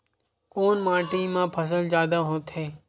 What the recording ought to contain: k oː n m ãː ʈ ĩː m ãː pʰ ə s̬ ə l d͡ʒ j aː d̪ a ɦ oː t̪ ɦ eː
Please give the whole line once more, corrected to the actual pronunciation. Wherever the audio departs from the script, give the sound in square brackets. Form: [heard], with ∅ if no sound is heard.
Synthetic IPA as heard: k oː n m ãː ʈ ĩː m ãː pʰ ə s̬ ə l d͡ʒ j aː d̪ a ɦ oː t̪ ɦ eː